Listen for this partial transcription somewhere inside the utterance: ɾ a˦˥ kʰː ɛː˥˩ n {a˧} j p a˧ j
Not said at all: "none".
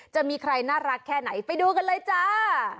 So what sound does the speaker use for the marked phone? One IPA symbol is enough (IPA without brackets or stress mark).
a˩˦